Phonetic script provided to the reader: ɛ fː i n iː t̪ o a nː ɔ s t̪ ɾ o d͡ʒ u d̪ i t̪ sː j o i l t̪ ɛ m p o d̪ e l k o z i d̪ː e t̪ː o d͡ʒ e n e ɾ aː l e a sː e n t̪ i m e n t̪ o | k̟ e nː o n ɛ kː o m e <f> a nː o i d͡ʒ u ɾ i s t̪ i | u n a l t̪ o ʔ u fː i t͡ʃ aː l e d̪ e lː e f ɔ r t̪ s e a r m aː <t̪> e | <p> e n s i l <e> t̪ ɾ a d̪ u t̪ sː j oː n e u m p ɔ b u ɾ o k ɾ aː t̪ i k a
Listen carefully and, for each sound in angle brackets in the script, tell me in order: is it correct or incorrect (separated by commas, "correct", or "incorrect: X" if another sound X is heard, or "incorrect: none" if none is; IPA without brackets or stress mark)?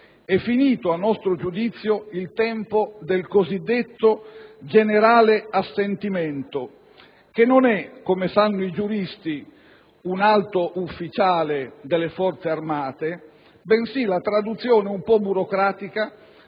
incorrect: s, correct, incorrect: b, incorrect: a